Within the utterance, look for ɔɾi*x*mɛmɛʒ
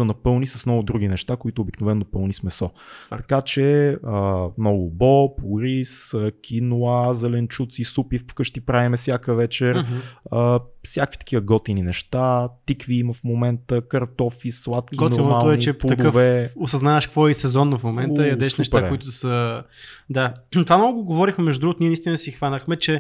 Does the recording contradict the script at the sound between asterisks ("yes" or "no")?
no